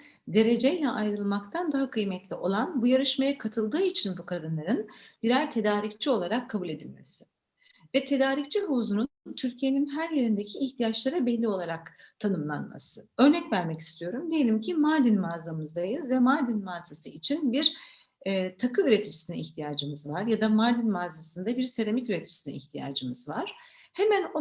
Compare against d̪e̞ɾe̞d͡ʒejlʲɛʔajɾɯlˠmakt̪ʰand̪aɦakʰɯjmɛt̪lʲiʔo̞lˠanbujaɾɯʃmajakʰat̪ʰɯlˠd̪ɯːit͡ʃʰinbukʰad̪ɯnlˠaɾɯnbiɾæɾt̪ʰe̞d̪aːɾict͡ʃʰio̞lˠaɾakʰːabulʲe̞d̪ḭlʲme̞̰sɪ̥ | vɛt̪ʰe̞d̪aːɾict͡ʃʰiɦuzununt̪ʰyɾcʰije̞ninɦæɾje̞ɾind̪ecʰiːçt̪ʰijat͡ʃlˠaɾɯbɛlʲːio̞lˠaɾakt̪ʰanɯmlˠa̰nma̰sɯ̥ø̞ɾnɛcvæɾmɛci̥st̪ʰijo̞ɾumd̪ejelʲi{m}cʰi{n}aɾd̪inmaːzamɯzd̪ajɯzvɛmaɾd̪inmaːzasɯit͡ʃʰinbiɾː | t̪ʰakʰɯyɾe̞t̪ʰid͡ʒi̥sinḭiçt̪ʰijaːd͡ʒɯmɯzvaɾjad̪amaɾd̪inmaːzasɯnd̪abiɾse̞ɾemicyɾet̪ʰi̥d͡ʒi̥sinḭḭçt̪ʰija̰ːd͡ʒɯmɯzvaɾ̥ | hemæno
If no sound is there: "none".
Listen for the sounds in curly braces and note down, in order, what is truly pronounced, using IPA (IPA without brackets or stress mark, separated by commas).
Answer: m, m